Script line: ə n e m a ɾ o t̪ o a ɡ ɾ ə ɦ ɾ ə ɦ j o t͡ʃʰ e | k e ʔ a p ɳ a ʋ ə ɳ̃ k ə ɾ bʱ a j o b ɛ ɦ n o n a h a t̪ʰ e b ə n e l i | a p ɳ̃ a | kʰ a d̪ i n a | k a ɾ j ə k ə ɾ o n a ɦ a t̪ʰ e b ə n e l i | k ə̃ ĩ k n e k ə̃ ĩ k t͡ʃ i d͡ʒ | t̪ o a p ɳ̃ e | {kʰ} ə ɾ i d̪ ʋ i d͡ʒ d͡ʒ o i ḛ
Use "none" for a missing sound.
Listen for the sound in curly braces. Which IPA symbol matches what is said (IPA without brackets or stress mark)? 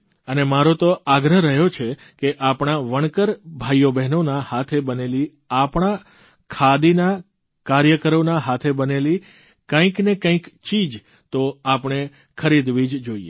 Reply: kʰ